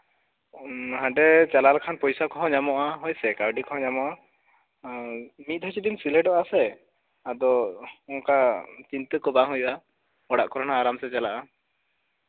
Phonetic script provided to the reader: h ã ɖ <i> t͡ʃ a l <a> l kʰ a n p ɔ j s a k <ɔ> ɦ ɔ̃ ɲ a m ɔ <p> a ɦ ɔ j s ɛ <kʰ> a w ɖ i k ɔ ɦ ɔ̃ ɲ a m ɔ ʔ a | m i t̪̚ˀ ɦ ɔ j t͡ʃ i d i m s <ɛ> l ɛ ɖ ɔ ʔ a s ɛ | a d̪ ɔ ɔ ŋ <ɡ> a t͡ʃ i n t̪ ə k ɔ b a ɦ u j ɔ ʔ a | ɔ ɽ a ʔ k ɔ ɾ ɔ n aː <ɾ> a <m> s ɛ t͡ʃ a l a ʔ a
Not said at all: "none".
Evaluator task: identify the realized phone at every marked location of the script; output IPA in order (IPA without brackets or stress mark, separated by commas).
ɛ, a, ɔ, ʔ, k, i, k, ɾ, m